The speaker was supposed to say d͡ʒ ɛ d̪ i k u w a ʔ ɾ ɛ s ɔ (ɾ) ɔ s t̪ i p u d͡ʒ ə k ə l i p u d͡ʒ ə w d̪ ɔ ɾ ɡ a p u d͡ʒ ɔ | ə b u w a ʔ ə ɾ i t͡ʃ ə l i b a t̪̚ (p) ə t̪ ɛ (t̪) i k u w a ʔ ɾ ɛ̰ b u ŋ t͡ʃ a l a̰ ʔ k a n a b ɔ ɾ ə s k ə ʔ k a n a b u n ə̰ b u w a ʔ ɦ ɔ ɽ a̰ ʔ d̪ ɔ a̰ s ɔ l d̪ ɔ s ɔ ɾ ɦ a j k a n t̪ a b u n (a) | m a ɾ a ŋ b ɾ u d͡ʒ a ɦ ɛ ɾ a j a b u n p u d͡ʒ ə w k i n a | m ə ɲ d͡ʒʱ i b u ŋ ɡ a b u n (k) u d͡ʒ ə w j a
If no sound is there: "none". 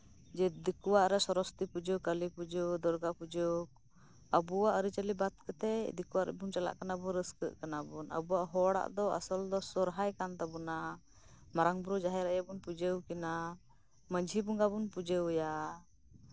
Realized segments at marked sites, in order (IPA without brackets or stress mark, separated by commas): ɾ, k, d̪, a, p